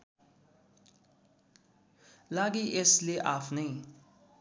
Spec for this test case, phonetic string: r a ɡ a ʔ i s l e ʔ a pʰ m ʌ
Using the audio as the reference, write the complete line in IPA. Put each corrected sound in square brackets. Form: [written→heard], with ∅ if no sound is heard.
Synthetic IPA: [r→l] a ɡ [a→i] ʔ [i→e] s l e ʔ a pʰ [m→n] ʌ